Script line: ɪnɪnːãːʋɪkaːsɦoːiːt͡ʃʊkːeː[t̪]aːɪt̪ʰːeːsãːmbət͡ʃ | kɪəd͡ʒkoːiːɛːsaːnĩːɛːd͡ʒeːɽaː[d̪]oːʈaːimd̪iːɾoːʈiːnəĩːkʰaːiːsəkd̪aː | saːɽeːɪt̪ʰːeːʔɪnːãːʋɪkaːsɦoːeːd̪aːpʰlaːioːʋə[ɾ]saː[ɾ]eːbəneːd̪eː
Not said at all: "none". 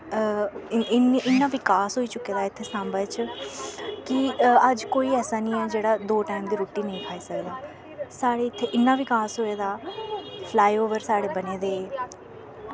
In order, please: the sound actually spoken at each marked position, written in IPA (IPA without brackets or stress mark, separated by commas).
d̪, d̪, ɾ, ɽ